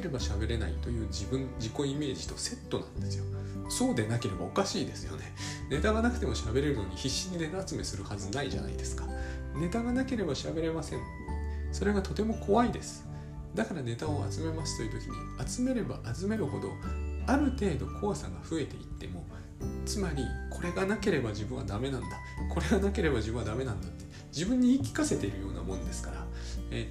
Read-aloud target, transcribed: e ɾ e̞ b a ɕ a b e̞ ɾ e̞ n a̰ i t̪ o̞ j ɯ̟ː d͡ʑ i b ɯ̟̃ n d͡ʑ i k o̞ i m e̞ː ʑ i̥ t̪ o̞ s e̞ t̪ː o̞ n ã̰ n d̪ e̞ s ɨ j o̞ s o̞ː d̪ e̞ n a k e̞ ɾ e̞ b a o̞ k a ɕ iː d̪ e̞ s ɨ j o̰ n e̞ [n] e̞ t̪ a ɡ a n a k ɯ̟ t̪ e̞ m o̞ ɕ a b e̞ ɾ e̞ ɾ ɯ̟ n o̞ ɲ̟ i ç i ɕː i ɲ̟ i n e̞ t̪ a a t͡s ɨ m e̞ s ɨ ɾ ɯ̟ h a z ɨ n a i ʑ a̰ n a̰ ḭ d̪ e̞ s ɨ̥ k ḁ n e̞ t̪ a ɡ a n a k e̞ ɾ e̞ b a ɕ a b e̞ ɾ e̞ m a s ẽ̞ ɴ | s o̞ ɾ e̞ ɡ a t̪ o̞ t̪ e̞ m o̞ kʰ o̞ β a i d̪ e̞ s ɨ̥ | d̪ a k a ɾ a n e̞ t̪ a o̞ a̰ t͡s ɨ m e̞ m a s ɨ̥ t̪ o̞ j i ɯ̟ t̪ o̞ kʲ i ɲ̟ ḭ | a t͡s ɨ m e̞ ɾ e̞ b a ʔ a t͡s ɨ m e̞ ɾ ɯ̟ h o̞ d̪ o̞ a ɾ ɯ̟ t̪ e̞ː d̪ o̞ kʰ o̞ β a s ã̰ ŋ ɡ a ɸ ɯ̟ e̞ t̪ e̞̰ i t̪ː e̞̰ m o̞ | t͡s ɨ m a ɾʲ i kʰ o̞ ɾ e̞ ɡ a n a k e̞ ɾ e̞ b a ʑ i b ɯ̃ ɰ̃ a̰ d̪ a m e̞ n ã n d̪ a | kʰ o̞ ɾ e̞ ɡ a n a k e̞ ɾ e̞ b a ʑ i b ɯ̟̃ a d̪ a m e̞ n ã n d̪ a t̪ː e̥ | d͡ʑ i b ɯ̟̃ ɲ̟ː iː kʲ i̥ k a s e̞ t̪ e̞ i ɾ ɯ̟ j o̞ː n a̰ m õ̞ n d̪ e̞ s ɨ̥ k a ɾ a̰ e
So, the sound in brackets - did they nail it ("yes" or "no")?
yes